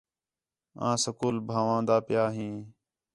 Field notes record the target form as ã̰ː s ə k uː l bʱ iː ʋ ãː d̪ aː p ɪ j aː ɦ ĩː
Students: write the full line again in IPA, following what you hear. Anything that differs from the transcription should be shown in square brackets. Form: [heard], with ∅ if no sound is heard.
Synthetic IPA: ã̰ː s ə k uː l bʱ [aː] ʋ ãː d̪ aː p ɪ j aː ɦ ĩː